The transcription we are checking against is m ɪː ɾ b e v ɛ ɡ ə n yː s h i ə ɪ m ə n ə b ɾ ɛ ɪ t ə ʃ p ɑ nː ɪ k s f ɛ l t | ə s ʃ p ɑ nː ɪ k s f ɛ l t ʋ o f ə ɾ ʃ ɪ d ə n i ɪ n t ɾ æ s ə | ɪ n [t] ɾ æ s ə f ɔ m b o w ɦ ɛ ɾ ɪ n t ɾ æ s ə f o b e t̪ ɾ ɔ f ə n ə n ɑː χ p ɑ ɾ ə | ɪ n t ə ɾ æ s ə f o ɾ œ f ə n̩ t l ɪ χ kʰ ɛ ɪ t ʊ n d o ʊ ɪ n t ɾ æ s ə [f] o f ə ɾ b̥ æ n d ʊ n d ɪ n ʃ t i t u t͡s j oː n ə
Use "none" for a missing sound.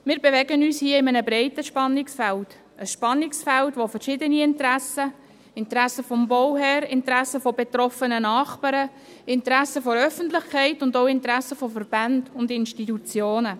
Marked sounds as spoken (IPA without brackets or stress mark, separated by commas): t, f